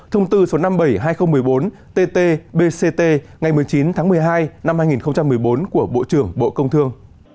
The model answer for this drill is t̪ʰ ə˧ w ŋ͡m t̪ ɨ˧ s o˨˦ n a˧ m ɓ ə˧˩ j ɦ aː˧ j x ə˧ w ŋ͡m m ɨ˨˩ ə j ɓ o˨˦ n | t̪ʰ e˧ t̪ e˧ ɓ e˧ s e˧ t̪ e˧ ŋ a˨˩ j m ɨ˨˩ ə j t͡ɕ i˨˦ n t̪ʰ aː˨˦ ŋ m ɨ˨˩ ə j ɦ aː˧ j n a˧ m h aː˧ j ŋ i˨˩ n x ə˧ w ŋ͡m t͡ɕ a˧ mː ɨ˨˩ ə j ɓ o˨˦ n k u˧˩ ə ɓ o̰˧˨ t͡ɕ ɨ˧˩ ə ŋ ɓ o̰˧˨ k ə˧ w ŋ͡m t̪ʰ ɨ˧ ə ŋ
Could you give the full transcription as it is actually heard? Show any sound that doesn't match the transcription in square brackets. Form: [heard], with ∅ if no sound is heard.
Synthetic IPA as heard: t̪ʰ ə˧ w ŋ͡m t̪ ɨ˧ s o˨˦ n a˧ m ɓ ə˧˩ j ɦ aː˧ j x ə˧ w ŋ͡m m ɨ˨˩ ə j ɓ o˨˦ n | [t̪] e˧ t̪ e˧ ɓ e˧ s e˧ t̪ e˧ ŋ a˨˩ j m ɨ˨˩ ə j t͡ɕ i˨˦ n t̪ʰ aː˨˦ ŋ m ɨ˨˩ ə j ɦ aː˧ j n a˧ m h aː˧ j ŋ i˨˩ n x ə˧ w ŋ͡m t͡ɕ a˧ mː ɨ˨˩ ə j ɓ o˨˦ n k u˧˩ ə ɓ o̰˧˨ t͡ɕ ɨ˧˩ ə ŋ ɓ o̰˧˨ k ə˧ w ŋ͡m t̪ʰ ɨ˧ ə ŋ